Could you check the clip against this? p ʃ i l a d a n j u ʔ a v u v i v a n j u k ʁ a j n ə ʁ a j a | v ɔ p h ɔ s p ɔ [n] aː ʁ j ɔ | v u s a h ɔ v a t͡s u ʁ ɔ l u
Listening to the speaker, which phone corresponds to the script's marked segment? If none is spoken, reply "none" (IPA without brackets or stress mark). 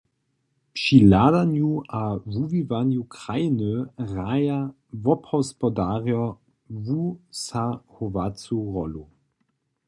d